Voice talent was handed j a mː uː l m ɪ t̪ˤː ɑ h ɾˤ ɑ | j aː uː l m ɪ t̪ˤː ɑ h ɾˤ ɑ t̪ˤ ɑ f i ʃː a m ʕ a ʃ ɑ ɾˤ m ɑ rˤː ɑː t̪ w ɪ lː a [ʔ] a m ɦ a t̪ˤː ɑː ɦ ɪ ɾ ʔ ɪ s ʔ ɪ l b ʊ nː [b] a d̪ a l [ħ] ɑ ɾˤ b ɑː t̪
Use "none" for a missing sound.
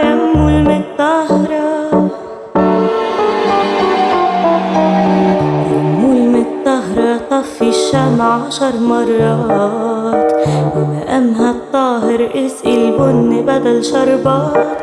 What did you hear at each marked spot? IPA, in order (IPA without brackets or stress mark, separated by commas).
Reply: ʔ, b, ʃ